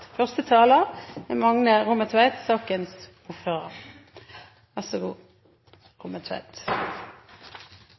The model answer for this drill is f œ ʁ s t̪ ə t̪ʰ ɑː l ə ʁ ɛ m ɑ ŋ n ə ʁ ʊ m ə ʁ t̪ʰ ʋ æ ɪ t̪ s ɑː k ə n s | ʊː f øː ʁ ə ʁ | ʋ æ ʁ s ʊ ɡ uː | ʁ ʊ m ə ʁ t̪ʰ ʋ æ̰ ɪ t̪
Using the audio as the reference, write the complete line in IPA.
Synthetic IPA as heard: f œ ʁ s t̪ ə t̪ʰ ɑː l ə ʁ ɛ m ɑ ŋ n ə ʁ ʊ m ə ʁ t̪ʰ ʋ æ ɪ t̪ s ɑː k ə n s | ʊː f øː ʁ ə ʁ | ʋ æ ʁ s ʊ ɡ uː | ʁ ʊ m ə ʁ t̪ʰ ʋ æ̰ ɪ t̪